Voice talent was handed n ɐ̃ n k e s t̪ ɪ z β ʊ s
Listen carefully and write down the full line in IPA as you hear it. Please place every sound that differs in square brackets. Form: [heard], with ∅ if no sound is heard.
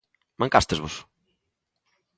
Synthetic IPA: [m] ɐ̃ [ŋ] k [a] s t̪ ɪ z β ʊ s